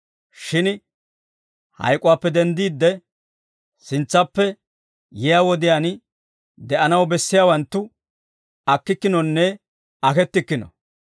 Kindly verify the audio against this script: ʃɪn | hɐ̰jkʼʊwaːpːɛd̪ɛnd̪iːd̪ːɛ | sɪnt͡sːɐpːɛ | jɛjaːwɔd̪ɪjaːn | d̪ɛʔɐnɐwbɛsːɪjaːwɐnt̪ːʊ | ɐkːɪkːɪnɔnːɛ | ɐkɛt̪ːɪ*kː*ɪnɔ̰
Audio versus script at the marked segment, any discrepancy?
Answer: no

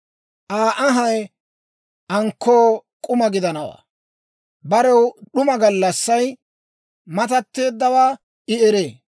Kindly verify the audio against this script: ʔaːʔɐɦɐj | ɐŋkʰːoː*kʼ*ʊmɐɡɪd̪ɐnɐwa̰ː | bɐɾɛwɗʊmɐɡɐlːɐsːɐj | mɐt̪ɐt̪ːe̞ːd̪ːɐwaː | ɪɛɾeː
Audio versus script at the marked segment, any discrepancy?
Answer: no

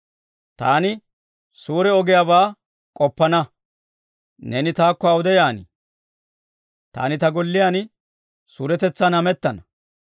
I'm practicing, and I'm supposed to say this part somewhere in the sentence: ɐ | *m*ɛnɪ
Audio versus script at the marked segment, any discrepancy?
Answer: yes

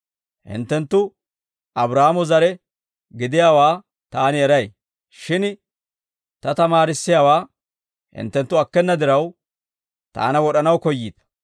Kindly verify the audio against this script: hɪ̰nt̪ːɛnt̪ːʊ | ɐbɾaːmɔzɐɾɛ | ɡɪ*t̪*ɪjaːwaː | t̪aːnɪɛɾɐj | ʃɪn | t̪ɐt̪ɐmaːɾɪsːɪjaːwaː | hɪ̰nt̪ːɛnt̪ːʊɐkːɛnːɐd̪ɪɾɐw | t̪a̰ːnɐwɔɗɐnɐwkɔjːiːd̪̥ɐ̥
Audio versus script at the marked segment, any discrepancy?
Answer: yes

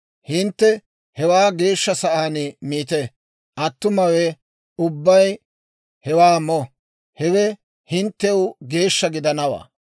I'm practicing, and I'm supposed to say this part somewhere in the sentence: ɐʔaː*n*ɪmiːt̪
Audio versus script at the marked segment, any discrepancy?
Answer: no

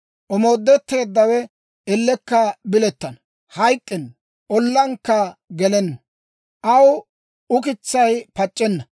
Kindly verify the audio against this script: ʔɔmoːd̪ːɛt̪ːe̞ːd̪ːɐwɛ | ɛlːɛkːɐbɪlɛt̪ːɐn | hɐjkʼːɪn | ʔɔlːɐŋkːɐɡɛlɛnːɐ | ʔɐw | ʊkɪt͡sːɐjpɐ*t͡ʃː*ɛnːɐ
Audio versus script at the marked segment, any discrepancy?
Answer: yes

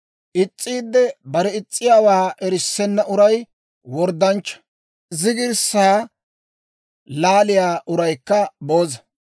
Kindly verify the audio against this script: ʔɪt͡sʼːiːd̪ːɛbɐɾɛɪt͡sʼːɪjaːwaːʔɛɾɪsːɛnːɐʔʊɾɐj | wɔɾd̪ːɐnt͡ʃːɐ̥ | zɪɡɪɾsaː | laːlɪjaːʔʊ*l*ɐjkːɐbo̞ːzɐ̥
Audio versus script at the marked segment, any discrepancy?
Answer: yes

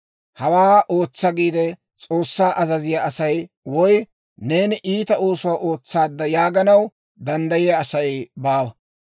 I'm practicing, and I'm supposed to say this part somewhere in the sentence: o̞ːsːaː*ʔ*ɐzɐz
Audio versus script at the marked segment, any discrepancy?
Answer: no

